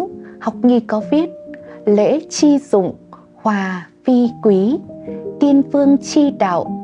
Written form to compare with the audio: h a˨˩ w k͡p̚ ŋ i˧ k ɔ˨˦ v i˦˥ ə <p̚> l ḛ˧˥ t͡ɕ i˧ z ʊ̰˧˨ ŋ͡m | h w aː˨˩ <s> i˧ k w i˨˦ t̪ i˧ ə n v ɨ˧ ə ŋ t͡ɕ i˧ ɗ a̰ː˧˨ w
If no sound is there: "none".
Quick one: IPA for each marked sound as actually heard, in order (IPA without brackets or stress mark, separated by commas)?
t̚, f